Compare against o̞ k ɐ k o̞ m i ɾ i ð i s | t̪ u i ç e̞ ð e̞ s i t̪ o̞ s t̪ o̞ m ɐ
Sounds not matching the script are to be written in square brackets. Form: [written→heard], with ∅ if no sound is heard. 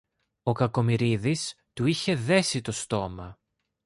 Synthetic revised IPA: o̞ k ɐ k o̞ m i ɾ i ð i s | t̪ u i ç e̞ ð e̞ s i t̪ o̞ s t̪ o̞ m ɐ